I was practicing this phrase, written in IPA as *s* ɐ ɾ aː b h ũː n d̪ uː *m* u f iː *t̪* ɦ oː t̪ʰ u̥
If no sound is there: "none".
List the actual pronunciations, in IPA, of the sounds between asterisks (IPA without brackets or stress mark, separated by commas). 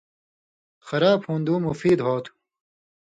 x, m, d̪